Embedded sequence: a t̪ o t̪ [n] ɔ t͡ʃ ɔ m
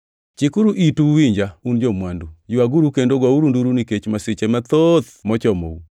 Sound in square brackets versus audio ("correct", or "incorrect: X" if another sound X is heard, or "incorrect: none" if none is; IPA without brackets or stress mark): incorrect: m